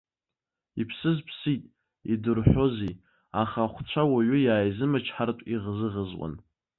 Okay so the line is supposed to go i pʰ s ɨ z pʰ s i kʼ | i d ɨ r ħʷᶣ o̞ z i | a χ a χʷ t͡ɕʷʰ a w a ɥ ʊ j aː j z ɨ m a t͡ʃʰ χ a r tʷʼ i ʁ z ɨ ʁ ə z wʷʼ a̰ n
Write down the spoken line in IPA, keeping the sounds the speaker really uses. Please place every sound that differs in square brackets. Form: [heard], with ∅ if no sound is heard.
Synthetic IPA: i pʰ s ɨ z pʰ s i [tʼ] | i d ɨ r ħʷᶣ o̞ z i | a χ a χʷ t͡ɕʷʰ a w a ɥ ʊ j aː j z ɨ m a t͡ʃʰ [ħ] a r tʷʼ i ʁ z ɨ ʁ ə z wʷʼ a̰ n

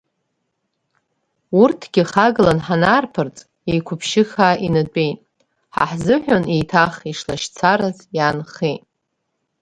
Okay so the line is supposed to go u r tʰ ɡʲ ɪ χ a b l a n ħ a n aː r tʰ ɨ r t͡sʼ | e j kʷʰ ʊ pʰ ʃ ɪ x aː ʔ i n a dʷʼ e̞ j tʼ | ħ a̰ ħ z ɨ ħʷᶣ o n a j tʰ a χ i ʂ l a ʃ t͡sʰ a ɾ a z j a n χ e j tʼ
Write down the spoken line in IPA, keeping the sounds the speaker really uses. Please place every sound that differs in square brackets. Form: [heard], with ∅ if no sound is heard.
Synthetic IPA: u r tʰ ɡʲ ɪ χ a [ɡ] l a n ħ a n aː r [pʰ] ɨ r t͡sʼ | e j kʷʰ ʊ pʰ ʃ ɪ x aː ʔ i n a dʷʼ e̞ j tʼ | ħ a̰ ħ z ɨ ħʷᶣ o n [e] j tʰ a χ i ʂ l a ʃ t͡sʰ a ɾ a z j a n χ e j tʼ

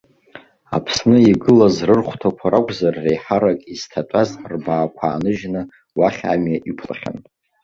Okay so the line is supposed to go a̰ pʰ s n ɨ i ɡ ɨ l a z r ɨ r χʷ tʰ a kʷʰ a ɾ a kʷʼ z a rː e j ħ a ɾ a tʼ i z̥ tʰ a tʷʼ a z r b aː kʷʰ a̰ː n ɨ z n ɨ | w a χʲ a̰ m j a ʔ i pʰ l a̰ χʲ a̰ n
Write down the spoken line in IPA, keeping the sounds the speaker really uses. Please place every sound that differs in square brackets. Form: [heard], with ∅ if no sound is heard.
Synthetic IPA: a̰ pʰ s n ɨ i ɡ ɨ l a z r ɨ r χʷ tʰ a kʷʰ a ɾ a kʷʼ z a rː e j ħ a ɾ a [kʼ] i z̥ tʰ a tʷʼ a z r b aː kʷʰ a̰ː n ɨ [ʒ] n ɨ | w a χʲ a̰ m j a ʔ i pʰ l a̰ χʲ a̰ n

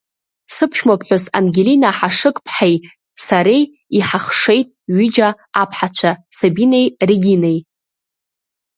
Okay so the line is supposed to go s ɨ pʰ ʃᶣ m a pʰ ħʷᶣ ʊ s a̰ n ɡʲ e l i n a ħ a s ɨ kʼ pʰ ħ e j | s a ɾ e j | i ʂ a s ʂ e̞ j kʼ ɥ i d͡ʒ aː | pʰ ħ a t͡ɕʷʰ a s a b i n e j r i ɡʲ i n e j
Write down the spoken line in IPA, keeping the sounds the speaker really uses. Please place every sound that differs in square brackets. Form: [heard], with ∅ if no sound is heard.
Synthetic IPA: s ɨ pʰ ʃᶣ m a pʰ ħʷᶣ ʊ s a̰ n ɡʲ e l i n a ħ a [ʂ] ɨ kʼ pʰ ħ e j | s a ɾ e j | i [ħ] a [χ] ʂ e̞ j [tʼ] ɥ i d͡ʒ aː | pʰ ħ a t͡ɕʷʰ a s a b i n e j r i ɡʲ i n e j

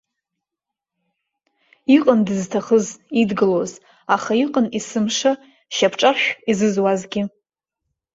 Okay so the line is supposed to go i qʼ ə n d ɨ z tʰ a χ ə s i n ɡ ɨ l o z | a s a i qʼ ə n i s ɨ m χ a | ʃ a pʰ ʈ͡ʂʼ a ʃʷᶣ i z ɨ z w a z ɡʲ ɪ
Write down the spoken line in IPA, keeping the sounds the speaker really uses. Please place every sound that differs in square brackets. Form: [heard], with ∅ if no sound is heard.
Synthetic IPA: i qʼ ə n d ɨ z tʰ a χ ə [z] i [d] ɡ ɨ l o z | a [χ] a i qʼ ə n i s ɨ m [ʂ] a | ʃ a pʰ ʈ͡ʂʼ a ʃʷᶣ i z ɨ z w a z ɡʲ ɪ

